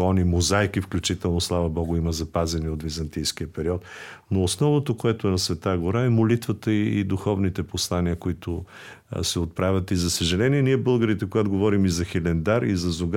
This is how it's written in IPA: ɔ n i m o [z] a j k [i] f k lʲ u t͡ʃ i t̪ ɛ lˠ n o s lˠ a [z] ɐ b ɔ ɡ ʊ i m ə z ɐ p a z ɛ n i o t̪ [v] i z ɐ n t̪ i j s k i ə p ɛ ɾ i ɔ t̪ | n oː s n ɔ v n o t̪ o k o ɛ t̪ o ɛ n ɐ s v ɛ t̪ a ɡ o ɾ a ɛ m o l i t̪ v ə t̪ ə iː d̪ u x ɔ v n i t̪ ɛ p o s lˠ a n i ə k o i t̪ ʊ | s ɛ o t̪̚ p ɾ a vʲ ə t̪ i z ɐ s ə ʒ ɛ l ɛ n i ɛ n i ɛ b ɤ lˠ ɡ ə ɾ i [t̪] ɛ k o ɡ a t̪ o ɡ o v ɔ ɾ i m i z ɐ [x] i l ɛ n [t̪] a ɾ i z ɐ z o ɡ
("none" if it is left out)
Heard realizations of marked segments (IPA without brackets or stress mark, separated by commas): z, i, v, v, t̪, x, d̪